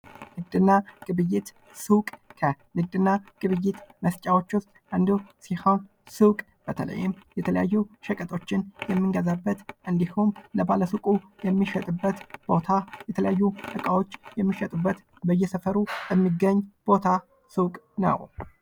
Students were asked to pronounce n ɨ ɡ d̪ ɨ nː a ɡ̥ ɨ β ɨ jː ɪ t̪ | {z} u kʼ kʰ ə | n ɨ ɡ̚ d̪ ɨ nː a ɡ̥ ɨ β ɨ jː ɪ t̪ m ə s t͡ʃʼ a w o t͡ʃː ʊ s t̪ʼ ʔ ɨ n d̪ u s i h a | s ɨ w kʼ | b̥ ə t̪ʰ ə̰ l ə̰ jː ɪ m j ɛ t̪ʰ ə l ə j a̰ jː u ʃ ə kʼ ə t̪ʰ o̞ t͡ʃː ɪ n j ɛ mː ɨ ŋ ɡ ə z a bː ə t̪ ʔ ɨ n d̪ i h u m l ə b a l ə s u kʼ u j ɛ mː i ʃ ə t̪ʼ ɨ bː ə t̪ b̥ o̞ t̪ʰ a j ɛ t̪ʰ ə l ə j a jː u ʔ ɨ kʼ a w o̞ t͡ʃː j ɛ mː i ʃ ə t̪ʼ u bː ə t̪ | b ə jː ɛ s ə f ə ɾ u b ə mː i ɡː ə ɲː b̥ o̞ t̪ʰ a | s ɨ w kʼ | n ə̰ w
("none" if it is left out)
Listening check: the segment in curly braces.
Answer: s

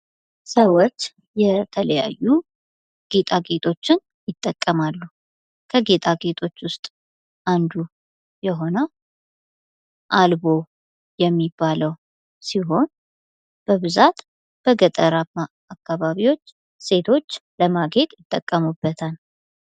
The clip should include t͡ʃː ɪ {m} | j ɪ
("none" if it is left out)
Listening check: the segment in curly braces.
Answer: n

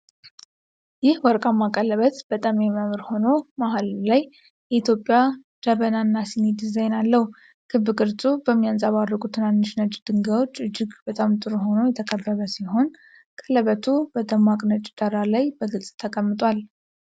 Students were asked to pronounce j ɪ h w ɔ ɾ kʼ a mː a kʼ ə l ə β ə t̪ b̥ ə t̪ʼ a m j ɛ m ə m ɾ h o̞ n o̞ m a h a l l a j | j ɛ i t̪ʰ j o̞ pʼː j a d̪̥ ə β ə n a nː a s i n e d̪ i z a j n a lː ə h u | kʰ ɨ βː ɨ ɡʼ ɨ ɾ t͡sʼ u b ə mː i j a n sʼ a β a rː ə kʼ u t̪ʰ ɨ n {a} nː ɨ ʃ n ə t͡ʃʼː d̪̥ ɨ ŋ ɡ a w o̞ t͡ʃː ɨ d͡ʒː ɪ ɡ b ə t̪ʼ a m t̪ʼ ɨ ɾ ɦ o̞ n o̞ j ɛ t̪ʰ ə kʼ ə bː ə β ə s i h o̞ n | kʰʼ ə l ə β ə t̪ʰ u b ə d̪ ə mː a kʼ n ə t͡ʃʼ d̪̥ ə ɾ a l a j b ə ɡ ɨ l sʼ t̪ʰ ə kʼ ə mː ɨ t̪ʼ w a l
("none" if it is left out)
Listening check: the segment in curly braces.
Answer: a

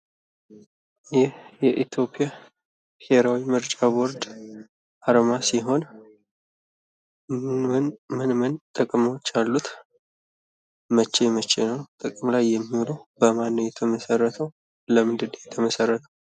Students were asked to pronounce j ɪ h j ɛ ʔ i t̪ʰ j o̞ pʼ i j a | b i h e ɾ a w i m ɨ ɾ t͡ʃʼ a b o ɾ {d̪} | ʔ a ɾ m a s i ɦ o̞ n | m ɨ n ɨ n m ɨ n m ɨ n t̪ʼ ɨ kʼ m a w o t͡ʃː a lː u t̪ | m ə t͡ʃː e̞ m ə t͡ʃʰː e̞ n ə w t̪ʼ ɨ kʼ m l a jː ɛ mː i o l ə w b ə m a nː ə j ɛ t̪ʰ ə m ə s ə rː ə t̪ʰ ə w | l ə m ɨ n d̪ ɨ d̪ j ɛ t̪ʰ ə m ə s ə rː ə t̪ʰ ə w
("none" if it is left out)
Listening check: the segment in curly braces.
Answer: d̪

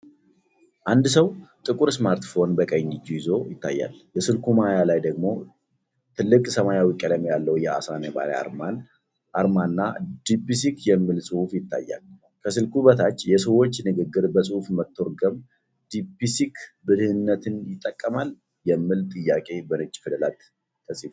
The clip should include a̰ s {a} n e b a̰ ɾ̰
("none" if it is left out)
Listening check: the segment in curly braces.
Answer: a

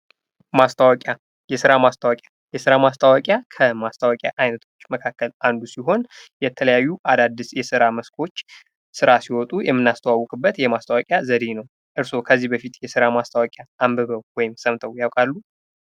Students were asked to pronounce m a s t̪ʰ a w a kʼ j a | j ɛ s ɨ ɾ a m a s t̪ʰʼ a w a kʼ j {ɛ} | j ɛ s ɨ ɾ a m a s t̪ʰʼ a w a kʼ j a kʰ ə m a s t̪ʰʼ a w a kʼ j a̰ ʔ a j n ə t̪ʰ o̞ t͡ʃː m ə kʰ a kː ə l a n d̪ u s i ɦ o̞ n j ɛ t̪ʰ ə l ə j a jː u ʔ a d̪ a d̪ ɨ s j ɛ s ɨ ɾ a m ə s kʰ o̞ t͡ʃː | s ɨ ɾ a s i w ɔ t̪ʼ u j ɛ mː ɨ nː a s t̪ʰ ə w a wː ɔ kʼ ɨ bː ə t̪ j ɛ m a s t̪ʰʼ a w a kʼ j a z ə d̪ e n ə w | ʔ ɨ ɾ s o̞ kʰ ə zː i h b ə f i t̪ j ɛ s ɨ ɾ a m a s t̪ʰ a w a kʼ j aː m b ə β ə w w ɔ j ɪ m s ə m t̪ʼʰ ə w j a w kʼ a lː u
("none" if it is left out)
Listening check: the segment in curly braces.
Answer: a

